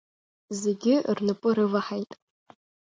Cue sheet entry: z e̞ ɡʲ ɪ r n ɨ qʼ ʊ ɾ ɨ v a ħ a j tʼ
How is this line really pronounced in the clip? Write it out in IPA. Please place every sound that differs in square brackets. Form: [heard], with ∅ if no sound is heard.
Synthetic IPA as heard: z e̞ ɡʲ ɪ r n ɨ [pʼ] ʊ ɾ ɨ v a ħ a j tʼ